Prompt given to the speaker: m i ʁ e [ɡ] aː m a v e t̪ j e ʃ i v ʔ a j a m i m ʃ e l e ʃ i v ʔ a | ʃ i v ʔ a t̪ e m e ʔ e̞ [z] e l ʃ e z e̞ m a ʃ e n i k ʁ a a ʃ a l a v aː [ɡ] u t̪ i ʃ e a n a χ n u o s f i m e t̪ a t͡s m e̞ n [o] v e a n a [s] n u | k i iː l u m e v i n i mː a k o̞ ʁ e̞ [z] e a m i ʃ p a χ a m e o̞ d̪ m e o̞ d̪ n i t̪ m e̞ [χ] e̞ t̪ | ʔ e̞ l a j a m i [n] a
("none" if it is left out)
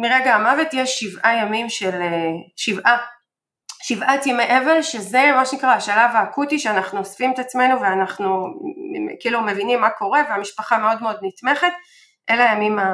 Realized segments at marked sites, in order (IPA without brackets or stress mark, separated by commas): ɡ, v, k, u, χ, v, χ, m